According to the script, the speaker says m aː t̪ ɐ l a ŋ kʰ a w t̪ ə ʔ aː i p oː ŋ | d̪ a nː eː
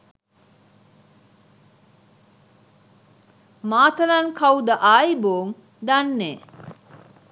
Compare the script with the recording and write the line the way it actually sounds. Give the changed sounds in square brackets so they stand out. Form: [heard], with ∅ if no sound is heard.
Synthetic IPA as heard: m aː t̪ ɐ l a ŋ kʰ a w [d̪] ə ʔ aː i [b] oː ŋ | d̪ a nː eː